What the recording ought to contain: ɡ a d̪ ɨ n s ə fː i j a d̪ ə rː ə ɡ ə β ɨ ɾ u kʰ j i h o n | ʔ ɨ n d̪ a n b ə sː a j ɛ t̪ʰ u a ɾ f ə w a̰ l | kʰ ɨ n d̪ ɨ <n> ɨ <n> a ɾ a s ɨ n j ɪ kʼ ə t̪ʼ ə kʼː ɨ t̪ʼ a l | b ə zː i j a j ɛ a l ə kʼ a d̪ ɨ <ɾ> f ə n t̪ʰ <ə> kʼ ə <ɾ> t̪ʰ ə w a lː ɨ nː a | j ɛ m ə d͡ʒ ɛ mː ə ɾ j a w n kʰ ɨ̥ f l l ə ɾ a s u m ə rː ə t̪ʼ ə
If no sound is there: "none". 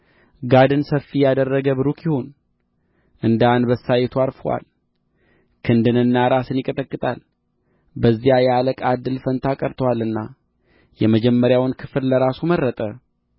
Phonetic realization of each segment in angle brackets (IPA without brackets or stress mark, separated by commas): n, nː, l, a, ɾ